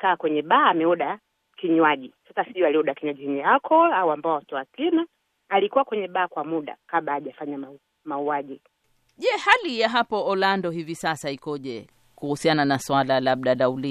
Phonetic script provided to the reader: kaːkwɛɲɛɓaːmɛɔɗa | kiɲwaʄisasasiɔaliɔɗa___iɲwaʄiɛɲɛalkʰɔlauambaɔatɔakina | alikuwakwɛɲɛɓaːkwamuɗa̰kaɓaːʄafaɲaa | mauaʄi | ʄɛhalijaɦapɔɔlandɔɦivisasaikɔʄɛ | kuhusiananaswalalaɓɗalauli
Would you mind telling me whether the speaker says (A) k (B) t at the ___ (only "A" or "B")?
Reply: A